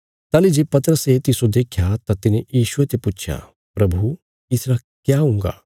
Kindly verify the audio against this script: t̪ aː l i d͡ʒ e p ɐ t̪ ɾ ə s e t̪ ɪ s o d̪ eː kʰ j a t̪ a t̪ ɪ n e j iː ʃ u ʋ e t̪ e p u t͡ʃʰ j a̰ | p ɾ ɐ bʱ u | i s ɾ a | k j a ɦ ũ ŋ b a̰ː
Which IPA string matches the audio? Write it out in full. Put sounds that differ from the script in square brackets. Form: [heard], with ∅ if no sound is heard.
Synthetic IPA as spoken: t̪ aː l i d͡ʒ e p ɐ t̪ ɾ ə s e t̪ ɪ s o d̪ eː kʰ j a t̪ a t̪ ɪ n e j iː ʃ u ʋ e t̪ e p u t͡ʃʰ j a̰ | p ɾ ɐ bʱ u | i s ɾ a | k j a ɦ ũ ŋ [ɡ] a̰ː